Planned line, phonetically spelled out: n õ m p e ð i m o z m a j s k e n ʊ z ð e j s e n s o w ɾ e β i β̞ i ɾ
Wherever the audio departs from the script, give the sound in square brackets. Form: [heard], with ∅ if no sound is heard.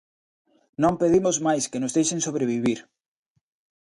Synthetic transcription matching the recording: n õ m p e ð i m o z m a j s k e n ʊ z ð e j [ʃ] e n s o [β] ɾ e β i β̞ i ɾ